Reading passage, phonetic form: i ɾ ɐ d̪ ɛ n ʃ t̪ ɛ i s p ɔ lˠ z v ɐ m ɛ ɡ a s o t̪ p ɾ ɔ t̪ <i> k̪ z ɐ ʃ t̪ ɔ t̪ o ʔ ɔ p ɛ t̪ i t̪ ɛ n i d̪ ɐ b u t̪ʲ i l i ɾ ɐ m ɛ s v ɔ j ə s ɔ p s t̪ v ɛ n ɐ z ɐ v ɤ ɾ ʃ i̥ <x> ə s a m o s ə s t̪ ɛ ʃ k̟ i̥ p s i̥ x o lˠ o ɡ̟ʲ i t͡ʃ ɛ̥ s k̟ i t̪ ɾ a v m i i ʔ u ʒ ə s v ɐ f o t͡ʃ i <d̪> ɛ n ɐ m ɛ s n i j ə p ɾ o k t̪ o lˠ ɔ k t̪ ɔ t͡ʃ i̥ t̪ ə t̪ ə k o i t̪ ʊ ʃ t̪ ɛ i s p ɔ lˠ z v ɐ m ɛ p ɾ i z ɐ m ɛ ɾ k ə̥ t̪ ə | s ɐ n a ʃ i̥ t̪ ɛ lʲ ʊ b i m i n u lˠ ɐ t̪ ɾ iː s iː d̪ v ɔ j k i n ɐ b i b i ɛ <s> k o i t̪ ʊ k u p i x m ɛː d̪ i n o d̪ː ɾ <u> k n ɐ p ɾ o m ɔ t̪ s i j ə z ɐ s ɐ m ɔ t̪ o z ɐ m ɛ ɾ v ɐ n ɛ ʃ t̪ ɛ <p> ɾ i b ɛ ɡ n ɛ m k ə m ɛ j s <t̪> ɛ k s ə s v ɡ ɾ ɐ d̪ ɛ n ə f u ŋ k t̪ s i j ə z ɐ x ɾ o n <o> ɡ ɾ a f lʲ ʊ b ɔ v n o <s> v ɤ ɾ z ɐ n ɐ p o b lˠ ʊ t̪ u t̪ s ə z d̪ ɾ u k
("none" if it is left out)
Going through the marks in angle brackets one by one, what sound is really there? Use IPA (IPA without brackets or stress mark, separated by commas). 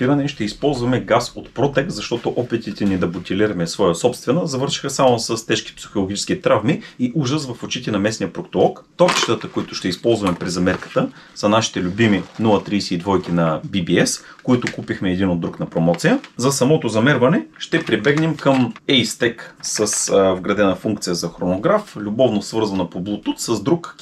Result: ɛ, x, t̪, s, u, p, t̪, o, s